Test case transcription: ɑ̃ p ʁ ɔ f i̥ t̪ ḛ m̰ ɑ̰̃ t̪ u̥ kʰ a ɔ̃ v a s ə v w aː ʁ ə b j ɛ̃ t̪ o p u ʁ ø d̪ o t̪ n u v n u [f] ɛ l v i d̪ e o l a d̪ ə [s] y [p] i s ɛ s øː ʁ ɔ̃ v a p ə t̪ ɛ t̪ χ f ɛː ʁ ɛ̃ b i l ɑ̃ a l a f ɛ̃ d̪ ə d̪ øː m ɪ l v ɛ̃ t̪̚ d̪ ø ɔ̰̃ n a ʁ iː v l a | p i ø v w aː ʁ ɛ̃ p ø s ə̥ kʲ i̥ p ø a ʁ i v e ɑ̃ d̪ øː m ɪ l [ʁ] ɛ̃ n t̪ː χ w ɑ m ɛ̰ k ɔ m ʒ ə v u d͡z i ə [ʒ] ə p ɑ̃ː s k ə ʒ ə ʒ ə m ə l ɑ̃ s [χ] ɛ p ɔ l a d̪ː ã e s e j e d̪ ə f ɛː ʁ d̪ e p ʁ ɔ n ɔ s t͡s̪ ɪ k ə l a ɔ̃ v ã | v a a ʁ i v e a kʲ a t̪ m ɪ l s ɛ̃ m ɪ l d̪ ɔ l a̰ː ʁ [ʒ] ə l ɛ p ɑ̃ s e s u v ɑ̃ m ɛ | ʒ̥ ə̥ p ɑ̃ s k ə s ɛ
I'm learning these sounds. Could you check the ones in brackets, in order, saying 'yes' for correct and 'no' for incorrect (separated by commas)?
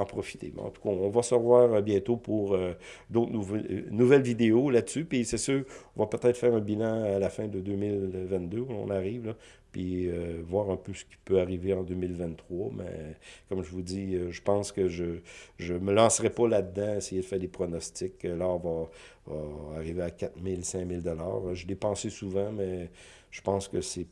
no, yes, yes, no, yes, no, yes